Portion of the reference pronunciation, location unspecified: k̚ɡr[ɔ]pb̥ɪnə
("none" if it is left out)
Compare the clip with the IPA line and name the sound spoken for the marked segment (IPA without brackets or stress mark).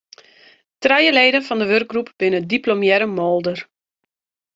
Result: u